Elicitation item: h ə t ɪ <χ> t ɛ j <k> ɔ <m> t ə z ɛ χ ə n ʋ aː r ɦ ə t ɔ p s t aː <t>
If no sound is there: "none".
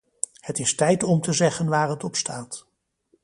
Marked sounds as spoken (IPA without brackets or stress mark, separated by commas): s, t, m, t